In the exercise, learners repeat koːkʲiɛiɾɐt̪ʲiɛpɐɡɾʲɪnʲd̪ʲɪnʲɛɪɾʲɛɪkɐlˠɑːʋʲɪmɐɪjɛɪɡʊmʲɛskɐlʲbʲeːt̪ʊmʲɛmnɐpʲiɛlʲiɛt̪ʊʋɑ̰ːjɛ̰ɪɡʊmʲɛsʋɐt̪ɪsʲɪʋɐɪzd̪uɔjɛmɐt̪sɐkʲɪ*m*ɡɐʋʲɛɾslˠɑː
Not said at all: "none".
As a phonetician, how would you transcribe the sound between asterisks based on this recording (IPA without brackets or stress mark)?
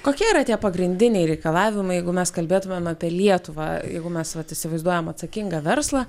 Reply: ŋ